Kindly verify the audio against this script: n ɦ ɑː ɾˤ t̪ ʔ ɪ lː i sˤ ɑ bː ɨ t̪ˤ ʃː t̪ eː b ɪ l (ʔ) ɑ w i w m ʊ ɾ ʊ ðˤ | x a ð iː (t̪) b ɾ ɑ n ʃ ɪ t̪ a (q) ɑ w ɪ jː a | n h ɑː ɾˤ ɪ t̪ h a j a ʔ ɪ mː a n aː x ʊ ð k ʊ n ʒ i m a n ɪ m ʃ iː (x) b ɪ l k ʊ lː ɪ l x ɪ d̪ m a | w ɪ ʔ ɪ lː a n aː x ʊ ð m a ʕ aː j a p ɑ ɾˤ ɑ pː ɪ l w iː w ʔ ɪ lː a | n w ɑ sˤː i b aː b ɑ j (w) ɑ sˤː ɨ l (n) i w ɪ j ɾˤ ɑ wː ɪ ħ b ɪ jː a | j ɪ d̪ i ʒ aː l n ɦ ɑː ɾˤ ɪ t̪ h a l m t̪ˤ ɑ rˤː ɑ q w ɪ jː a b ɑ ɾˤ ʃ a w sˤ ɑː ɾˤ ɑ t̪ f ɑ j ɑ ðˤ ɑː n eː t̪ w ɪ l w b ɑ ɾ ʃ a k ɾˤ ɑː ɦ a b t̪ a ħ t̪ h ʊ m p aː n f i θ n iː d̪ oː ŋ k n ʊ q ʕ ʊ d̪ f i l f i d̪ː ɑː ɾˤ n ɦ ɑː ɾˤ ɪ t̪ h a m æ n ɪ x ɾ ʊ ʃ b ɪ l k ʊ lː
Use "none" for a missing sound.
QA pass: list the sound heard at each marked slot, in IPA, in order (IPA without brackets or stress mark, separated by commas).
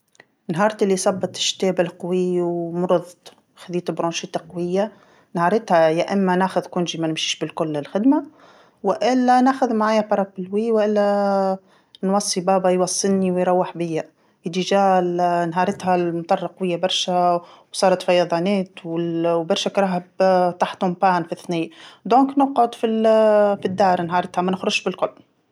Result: q, t̪, q, ʃ, w, n